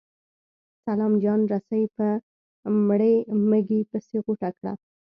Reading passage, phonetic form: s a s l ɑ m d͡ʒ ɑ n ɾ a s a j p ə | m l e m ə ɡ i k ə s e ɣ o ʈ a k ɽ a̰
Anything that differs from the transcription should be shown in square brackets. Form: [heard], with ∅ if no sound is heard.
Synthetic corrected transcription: s a [∅] l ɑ m d͡ʒ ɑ n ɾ a s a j p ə | m [ɽ] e m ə ɡ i [p] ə s e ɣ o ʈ a k ɽ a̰